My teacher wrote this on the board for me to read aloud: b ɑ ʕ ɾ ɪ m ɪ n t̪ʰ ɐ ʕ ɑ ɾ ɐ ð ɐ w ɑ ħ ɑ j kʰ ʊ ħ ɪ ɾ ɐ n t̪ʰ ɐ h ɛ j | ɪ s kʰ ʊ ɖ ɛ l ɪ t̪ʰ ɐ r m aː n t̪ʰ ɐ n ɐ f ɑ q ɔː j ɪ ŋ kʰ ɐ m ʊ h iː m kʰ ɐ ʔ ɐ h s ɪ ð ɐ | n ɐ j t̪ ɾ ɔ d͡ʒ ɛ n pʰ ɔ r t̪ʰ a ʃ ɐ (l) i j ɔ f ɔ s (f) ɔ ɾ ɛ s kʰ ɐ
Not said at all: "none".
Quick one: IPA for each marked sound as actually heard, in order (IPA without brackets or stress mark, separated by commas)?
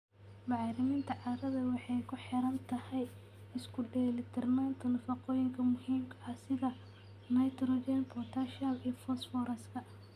l, f